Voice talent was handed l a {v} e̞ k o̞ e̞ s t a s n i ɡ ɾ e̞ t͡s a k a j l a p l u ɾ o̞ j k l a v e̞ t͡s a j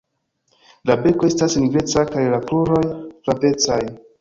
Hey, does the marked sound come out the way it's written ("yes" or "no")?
no